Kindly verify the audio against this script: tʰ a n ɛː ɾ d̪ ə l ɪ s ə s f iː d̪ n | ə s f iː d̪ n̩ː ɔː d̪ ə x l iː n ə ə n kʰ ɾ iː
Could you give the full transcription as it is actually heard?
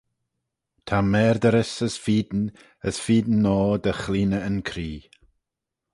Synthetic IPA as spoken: tʰ a m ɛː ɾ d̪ ə ɾ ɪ s ə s f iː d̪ n | ə s f iː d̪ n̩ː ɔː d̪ ə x l iː n ə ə n kʰ ɾ iː